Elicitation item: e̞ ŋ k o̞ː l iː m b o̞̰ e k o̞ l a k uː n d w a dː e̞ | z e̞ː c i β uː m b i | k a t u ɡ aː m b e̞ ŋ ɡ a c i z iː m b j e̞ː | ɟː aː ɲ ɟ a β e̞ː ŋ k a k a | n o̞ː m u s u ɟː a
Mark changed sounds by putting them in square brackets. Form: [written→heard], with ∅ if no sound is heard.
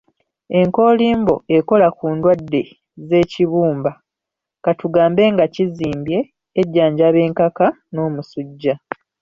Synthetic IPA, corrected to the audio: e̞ ŋ k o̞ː l iː m b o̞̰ e k o̞ l a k uː n d w a dː e̞ | z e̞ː c i β uː m b [i→a] | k a t u ɡ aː m b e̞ ŋ ɡ a c i z iː m b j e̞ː | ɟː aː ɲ ɟ a β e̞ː ŋ k a k a | n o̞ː m u s u ɟː a